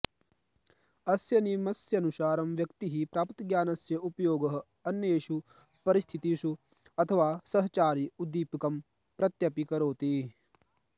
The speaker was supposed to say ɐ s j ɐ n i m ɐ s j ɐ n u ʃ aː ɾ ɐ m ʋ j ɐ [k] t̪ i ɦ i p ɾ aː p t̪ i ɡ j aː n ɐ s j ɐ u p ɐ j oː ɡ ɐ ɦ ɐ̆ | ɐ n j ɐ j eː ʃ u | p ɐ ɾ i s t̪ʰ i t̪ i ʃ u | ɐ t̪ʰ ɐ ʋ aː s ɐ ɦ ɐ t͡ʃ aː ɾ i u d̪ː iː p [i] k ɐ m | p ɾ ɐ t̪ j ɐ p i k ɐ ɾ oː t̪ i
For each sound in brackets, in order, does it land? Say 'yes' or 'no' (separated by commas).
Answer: yes, yes